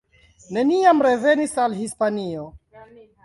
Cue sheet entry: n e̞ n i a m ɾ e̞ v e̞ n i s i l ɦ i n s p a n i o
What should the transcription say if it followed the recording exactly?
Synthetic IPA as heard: n e̞ n i a m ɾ e̞ v e̞ n i s a l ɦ i s p a n i o